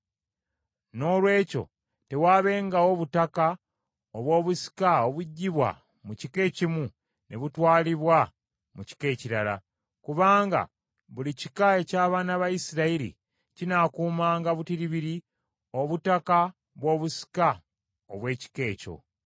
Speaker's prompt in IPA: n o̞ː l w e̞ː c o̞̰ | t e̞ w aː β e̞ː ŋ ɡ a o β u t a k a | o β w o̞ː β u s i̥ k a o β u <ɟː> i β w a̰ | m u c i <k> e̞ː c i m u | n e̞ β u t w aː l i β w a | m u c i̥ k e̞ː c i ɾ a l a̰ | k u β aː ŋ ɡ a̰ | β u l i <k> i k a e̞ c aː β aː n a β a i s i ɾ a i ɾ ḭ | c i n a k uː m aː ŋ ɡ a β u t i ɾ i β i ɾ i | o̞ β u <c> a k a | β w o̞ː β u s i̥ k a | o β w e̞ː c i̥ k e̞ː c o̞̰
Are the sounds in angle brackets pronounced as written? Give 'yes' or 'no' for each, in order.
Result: yes, yes, no, no

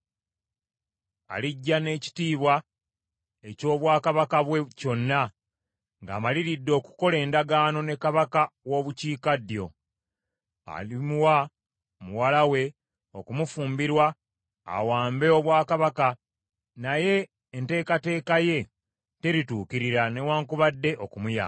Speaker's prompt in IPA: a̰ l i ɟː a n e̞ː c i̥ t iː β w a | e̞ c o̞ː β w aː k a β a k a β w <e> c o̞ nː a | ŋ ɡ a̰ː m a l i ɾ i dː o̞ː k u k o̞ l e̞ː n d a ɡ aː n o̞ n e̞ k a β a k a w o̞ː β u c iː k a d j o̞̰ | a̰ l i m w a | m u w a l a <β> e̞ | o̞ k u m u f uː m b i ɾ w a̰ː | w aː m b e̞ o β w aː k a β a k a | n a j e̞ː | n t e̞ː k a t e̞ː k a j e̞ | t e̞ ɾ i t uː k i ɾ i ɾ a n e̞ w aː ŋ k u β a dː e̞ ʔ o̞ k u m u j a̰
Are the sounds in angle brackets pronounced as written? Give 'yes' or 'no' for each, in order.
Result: yes, no

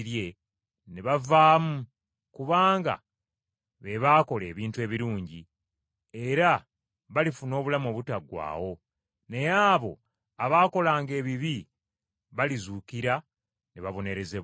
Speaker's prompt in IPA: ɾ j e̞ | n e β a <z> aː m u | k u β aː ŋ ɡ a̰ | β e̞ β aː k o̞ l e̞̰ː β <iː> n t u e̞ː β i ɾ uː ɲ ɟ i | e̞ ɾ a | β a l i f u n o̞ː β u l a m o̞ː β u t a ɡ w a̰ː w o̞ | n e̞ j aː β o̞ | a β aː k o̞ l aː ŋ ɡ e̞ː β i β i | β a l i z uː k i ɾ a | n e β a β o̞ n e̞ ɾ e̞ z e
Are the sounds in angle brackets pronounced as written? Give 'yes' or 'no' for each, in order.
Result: no, yes

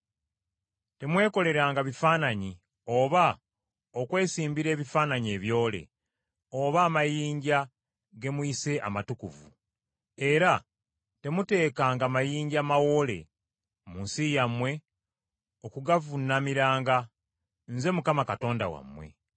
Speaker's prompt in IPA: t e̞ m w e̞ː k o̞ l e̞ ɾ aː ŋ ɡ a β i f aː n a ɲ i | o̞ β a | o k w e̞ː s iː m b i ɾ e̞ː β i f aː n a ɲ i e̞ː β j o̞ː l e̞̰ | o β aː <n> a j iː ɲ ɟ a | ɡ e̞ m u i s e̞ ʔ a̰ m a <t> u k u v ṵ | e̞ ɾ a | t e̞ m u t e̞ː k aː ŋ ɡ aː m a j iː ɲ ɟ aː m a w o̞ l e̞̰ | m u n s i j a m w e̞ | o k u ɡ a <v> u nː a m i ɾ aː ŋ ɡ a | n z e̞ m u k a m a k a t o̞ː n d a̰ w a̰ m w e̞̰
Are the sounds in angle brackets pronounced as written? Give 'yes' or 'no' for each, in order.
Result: no, yes, yes

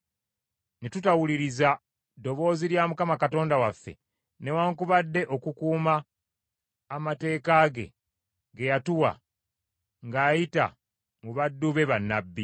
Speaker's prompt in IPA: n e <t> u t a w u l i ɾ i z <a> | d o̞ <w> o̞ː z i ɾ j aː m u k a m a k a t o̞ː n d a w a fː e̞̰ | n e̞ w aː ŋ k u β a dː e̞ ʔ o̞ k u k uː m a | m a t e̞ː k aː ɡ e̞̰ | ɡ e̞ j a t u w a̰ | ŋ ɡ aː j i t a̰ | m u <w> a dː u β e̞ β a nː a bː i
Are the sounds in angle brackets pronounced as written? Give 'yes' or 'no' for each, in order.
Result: yes, yes, no, no

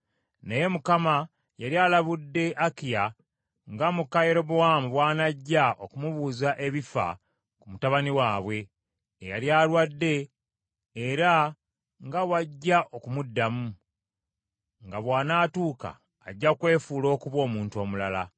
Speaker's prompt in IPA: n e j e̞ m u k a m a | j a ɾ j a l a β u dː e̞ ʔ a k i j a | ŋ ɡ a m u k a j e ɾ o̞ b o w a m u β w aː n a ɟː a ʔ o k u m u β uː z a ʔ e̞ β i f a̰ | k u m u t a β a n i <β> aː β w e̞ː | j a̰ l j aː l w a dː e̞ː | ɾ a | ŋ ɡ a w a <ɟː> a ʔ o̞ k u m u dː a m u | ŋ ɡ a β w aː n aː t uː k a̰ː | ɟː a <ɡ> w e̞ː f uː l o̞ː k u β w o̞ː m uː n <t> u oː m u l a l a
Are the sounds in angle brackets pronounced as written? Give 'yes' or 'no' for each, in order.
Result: no, yes, no, yes

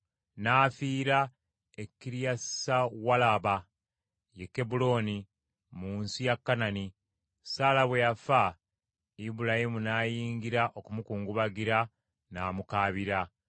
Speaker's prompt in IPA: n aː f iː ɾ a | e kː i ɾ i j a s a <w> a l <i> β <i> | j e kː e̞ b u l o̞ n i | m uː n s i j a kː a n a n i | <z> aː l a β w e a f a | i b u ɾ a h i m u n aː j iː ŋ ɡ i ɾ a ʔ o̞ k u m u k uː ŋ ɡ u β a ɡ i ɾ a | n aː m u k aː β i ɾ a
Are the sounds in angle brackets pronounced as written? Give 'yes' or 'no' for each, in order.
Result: yes, no, no, no

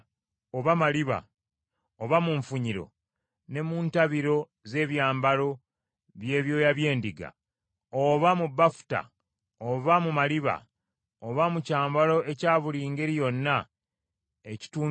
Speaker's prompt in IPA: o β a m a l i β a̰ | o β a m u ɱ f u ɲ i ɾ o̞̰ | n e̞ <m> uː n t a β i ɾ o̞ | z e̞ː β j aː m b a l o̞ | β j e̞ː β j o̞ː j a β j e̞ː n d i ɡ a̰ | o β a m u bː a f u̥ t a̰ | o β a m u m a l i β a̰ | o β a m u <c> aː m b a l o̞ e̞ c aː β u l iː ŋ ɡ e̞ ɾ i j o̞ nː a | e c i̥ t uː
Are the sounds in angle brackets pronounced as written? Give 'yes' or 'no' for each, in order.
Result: yes, yes

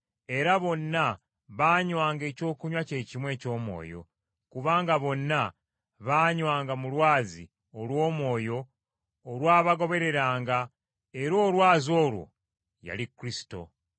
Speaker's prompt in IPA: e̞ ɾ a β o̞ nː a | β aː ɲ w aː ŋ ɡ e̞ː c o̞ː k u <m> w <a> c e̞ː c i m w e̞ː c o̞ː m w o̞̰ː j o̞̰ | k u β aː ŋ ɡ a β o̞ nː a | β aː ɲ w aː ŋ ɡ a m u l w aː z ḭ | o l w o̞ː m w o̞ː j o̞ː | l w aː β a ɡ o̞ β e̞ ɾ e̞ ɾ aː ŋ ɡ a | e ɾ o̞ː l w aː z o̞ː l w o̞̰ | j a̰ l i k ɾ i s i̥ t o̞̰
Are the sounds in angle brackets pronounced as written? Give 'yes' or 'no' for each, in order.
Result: no, yes

